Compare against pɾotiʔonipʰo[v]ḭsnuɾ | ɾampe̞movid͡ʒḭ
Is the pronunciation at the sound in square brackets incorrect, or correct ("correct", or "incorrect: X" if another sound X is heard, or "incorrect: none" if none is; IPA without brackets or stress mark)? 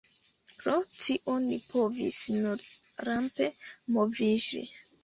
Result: correct